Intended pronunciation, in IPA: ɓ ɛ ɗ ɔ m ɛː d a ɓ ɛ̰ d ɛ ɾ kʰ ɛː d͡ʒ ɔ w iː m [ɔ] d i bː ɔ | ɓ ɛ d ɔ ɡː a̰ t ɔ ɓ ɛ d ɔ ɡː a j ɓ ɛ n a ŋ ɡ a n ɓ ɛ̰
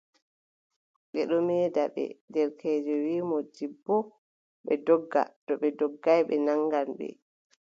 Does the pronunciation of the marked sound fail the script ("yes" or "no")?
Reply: no